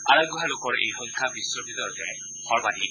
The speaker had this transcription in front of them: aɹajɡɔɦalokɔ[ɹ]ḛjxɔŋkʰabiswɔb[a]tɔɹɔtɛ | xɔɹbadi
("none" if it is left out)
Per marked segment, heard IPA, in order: ɹ, i

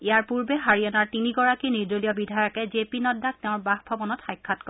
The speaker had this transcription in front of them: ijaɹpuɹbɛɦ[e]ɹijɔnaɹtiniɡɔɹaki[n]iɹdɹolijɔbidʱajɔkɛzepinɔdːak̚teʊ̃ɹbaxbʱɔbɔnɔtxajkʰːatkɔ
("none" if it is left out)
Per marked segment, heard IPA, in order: a, n

